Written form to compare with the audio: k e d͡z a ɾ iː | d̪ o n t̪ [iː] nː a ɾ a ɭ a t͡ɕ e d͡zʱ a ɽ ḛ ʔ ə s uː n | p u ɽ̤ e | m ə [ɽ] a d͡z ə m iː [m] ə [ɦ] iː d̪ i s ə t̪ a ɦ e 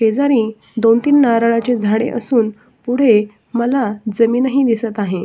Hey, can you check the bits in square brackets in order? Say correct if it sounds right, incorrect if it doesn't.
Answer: correct, incorrect: l, incorrect: n, correct

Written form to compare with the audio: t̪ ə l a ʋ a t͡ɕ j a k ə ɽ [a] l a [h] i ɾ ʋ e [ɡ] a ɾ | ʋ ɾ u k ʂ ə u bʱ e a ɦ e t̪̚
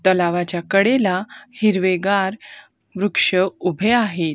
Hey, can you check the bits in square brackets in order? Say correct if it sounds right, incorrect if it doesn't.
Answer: incorrect: e, correct, correct

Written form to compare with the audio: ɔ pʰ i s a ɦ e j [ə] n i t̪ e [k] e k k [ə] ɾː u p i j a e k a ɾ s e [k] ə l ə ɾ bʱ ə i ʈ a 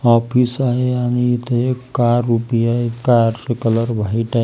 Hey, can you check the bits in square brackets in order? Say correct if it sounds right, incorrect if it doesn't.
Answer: incorrect: a, incorrect: none, incorrect: a, correct

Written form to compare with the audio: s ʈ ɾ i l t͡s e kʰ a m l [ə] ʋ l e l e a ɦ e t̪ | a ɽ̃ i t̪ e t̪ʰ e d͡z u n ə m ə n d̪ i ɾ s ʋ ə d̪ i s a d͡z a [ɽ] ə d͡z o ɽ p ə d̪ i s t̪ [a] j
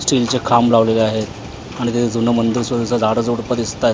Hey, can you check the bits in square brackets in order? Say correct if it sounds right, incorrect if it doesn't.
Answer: incorrect: a, correct, correct

